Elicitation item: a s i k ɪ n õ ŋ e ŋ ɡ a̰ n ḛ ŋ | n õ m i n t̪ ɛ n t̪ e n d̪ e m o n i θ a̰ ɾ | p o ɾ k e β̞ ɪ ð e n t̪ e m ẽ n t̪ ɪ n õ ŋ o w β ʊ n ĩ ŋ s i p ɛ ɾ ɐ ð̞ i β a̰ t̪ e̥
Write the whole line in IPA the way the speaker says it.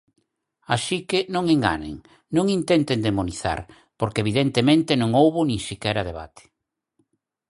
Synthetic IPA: a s i k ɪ n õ ŋ e ŋ ɡ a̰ n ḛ ŋ | n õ ŋ i n t̪ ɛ n t̪ e n d̪ e m o n i θ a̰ ɾ | p o ɾ k e β̞ i ð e n t̪ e m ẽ n t̪ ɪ n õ ŋ o w β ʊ n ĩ ŋ s i k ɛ ɾ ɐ ð̞ e β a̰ t̪ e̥